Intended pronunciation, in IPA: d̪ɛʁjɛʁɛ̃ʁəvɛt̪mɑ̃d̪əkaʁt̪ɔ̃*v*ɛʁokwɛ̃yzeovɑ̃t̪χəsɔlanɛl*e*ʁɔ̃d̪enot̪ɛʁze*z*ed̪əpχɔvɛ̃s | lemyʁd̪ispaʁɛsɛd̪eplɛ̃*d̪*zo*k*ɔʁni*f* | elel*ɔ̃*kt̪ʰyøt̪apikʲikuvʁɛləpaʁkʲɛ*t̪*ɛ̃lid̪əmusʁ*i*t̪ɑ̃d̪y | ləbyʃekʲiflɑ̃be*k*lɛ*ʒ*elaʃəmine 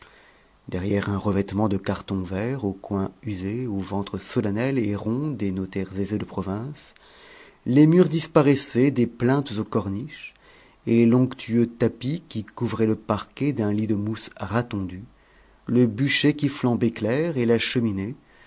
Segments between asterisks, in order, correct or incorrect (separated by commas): correct, correct, correct, incorrect, correct, incorrect, correct, incorrect, incorrect, correct, incorrect